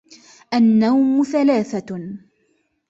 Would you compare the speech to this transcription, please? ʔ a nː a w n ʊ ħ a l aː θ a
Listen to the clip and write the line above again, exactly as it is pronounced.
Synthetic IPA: ʔ a nː a w m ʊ θ a l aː θ a